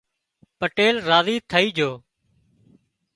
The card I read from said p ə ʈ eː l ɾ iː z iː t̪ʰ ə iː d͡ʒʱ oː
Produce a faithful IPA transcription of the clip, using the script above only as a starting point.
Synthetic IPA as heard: p ə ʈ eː l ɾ aː z iː t̪ʰ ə iː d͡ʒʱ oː